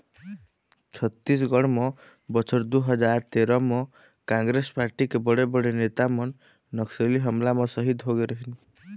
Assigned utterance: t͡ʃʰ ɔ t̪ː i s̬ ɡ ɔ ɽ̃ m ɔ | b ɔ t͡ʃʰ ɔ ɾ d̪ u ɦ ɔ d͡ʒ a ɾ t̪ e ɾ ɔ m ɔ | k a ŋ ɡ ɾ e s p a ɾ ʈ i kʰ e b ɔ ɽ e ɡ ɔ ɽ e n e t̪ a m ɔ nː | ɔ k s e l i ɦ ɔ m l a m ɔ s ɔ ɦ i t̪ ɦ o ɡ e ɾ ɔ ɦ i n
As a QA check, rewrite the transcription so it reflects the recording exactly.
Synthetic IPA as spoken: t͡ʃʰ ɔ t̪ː i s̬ ɡ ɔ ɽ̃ m ɔ | b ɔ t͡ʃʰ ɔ ɾ d̪ u ɦ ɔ d͡ʒ a ɾ t̪ e ɾ ɔ m ɔ | k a ŋ ɡ ɾ e s p a ɾ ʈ i k e b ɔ ɽ e b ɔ ɽ e n e t̪ a m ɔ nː | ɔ k s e l i ɦ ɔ m l a m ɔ s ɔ ɦ i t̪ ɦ o ɡ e ɾ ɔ ɦ i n